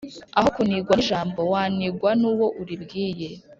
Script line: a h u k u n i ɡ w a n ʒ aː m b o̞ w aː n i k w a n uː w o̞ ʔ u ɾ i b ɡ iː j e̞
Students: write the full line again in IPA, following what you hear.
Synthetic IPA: a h o k u n i ɡ w a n ʒ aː m b o̞ w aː n i ɡ w a n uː w o̞ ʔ u ɾ i b ɡ iː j e̞

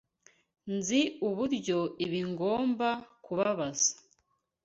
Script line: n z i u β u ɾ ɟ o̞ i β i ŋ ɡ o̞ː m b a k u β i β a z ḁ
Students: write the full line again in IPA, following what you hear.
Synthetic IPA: n z i u β u ɾ ɟ o̞ i β i ŋ ɡ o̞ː m b a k u β a β a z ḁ

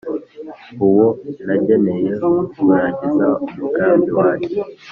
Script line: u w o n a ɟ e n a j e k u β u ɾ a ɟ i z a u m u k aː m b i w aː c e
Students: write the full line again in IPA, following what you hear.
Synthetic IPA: u w o n a ɟ e n e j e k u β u ɾ a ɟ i z a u m u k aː m b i w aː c e

